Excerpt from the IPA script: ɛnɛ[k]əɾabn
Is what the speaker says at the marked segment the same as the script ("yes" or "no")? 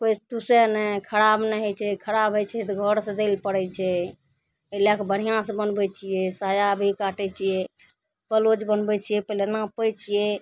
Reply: no